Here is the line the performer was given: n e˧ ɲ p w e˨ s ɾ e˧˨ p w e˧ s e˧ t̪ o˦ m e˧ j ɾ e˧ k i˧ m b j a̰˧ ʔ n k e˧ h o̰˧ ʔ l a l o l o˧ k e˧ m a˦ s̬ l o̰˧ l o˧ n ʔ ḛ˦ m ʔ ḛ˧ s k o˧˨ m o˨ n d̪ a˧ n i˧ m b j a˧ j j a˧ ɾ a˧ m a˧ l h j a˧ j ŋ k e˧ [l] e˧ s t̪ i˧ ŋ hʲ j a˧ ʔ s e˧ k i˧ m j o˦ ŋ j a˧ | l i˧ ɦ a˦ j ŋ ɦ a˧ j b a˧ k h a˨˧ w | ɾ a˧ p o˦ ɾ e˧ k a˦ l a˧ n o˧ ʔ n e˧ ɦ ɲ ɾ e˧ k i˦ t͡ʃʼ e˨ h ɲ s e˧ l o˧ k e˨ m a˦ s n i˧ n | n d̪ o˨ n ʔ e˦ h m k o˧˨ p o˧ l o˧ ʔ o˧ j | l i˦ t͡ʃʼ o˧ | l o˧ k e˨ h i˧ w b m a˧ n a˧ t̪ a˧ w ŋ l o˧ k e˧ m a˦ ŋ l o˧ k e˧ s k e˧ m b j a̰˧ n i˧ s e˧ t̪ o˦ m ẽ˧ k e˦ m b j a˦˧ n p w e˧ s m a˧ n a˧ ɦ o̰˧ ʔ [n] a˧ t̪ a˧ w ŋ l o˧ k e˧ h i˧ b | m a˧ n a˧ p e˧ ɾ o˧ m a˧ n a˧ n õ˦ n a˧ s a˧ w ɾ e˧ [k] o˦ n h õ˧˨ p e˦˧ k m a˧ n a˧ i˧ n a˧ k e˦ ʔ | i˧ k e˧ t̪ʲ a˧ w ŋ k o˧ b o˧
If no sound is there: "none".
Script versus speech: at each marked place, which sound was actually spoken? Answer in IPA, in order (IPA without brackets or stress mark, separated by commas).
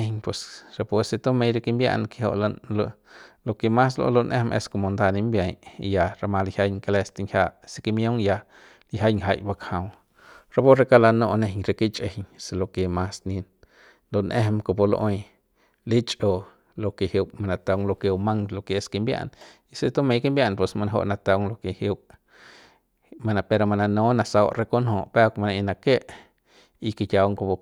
l, n, k